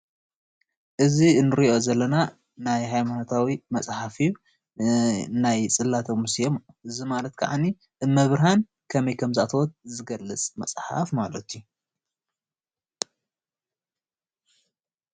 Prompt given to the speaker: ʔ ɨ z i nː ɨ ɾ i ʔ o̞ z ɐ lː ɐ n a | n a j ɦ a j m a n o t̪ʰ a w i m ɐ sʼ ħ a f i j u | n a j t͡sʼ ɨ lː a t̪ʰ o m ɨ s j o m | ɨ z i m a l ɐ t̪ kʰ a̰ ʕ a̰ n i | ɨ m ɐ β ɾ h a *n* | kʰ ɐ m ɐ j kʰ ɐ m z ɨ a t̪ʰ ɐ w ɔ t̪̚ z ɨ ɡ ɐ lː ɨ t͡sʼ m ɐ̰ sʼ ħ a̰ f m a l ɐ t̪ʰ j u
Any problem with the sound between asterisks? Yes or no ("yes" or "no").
no